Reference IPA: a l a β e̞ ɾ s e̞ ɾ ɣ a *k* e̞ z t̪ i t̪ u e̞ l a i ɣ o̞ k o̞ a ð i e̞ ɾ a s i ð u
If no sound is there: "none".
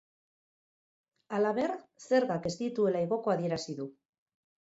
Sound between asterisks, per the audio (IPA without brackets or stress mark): k